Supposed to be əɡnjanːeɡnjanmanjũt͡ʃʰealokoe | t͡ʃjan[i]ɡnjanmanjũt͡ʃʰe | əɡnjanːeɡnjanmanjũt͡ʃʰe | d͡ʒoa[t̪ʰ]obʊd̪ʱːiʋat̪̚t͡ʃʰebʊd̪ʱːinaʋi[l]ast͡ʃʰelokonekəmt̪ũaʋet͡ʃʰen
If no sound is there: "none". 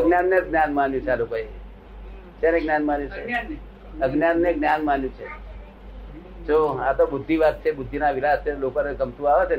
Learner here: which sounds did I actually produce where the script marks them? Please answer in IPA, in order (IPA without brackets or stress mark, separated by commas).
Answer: e, t̪, l